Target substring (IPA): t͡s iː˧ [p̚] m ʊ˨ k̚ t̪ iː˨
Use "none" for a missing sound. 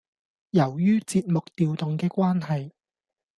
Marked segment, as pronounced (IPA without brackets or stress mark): t̚